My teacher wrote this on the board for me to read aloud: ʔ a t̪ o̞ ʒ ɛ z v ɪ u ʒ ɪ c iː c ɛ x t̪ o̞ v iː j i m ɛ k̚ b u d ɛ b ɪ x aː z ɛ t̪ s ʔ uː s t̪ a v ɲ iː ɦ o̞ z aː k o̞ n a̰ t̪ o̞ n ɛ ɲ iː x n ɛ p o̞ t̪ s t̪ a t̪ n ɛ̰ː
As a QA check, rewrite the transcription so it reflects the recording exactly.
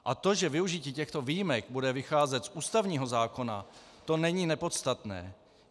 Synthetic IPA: ʔ a t̪ o̞ ʒ ɛ v ɪ u ʒ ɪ c iː c ɛ x t̪ o̞ v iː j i m ɛ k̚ b u d ɛ v ɪ x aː z ɛ t̪ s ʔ uː s t̪ a v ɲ iː ɦ o̞ z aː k o̞ n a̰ t̪ o̞ n ɛ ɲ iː n ɛ p o̞ t̪ s t̪ a t̪ n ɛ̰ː